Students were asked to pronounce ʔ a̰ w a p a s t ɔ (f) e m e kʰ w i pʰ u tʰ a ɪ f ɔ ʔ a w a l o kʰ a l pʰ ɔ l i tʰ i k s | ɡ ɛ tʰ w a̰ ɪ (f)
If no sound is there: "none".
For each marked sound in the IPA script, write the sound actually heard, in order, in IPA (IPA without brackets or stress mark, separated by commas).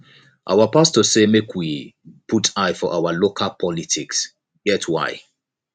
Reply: s, none